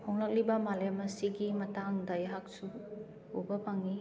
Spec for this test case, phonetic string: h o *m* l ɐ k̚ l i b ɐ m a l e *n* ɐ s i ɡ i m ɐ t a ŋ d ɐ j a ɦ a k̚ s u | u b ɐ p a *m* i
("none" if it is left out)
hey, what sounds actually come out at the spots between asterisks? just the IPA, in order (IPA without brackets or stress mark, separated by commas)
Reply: ŋ, m, ŋ